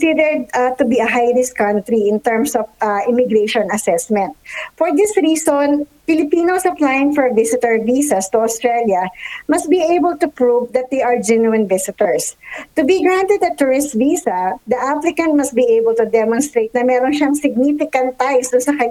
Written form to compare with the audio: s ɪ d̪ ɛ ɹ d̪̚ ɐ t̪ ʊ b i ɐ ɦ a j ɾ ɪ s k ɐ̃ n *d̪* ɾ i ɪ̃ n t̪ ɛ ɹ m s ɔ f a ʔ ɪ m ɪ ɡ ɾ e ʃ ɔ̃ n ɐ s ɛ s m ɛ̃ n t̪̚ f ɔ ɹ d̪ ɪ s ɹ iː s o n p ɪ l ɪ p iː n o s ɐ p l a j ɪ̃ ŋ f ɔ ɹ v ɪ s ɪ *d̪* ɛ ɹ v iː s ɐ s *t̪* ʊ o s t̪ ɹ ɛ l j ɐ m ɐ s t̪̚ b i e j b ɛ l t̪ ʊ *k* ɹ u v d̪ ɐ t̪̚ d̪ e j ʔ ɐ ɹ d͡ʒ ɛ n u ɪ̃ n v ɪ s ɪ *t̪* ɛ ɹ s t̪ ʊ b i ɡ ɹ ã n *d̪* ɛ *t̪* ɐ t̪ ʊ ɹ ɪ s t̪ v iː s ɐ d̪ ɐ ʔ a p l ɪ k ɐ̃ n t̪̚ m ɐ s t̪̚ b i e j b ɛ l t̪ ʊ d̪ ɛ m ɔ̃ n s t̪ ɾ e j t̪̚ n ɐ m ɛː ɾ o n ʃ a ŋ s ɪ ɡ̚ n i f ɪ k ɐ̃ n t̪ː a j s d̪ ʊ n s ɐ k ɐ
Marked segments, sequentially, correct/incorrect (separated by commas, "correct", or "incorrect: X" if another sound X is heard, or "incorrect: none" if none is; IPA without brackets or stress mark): incorrect: t̪, incorrect: t̪, correct, incorrect: p, correct, incorrect: t̪, incorrect: d̪